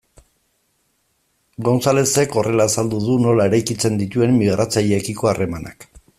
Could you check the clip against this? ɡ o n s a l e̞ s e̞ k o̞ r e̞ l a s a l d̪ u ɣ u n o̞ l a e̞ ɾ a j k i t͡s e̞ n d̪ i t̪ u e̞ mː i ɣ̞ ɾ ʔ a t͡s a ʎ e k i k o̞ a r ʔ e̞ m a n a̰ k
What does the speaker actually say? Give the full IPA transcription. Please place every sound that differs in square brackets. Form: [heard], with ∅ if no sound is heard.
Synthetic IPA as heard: ɡ o n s a l e̞ s e̞ k o̞ r e̞ l a s a l d̪ u [ð] u n o̞ l a e̞ ɾ a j k i t͡s e̞ n d̪ i t̪ u e̞ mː i ɣ̞ ɾ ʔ a t͡s a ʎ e k i k o̞ a r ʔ e̞ m a n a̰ k